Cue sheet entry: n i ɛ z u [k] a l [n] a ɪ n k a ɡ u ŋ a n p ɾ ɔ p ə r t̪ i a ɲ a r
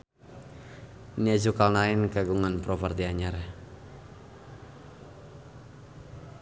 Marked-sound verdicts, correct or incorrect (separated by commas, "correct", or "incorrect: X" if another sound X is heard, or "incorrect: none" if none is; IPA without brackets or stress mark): correct, correct